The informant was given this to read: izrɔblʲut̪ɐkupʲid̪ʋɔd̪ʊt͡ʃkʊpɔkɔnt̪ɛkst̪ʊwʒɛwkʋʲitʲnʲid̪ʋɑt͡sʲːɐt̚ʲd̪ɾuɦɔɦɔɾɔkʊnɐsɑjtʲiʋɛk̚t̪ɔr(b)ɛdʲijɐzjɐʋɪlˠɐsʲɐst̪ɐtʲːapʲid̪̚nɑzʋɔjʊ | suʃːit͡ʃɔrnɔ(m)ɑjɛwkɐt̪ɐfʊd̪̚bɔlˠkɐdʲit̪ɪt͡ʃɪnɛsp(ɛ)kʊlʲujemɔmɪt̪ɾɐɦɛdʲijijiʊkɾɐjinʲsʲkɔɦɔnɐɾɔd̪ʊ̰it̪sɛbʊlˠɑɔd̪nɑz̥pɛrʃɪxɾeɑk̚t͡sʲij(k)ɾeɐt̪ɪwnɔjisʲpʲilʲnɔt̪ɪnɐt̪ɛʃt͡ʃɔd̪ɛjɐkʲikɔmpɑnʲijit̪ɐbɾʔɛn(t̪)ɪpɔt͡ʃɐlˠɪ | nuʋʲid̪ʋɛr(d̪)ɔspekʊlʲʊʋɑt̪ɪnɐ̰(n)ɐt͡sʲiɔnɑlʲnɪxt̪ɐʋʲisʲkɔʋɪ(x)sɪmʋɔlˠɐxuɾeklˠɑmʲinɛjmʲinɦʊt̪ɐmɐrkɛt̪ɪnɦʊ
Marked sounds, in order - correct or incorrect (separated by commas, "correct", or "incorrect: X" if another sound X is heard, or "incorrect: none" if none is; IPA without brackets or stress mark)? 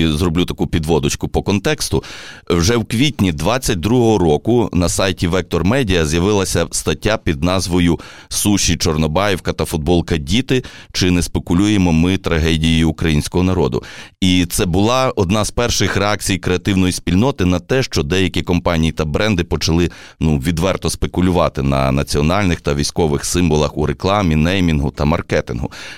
incorrect: m, incorrect: b, incorrect: e, correct, incorrect: d̪, incorrect: t̪, correct, correct